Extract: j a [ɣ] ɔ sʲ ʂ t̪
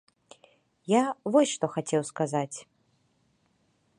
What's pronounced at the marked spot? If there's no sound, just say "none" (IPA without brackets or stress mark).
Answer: v